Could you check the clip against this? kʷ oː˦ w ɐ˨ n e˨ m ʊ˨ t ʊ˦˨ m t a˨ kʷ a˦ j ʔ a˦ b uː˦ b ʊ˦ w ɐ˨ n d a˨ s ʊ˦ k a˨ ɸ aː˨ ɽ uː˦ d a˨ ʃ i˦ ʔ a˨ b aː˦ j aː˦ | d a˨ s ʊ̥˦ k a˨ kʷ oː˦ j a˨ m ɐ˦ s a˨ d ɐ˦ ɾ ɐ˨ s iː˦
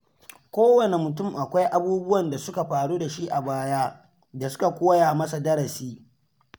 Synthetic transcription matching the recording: kʷ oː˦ w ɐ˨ n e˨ m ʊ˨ t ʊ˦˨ m ʔ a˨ kʷ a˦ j ʔ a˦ b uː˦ b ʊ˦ w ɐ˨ n d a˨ s ʊ˦ k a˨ ɸ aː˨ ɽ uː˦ d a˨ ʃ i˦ ʔ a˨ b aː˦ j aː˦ | d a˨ s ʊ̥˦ k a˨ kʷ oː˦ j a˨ m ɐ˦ s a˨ d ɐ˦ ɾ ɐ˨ s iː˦